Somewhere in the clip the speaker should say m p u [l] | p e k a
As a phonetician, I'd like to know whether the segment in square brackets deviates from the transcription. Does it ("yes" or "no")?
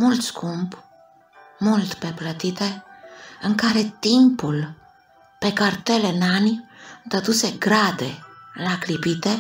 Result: no